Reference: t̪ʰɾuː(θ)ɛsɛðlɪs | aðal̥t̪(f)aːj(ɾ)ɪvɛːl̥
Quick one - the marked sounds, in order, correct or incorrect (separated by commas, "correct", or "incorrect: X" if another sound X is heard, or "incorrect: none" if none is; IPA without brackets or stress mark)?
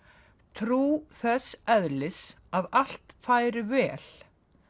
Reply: correct, correct, correct